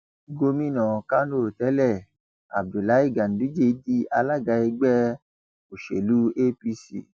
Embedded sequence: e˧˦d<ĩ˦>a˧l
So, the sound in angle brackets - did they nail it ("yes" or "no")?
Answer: no